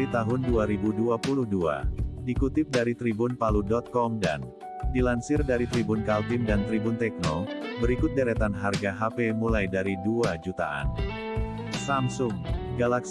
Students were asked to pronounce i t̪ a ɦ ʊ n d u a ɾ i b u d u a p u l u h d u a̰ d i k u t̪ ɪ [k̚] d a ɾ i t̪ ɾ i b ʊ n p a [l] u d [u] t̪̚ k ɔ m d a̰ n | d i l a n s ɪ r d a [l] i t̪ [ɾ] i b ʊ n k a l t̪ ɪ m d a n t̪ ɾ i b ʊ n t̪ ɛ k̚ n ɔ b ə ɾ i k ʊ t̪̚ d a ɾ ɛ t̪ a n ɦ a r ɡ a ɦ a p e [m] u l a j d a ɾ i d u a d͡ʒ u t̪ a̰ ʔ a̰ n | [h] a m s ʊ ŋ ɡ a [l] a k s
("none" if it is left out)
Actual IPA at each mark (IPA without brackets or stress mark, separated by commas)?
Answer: p̚, l, ɔ, ɾ, ɾ, m, s, l